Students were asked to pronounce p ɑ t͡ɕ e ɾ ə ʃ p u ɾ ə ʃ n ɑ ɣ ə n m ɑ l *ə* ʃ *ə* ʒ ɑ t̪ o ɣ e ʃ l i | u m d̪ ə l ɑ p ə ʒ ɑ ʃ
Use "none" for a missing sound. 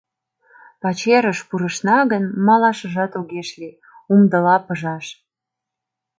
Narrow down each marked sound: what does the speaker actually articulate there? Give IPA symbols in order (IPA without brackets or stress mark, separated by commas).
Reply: ɑ, ə